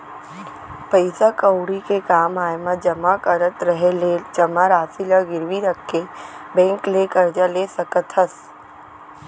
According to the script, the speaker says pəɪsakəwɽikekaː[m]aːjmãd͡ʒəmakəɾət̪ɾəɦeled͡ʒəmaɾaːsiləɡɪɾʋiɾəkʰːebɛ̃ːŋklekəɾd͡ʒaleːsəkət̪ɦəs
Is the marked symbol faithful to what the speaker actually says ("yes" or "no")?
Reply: yes